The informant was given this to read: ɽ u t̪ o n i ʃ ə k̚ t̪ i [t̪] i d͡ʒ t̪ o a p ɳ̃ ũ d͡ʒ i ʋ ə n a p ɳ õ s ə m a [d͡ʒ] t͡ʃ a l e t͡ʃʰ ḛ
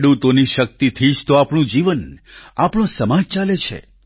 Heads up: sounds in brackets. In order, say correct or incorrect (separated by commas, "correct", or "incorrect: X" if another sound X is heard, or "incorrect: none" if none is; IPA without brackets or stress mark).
incorrect: t̪ʰ, correct